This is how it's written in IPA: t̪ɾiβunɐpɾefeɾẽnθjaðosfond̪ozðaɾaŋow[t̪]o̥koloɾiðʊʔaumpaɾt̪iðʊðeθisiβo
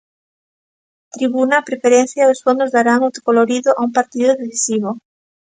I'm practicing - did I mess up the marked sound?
no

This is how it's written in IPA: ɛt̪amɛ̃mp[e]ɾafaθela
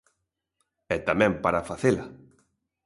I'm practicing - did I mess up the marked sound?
yes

